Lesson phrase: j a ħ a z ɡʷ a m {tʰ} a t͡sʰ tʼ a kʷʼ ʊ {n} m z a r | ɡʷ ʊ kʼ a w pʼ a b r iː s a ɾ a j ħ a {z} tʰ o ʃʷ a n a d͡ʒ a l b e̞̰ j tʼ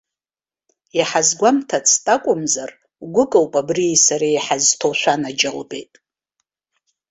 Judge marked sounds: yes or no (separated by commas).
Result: yes, no, yes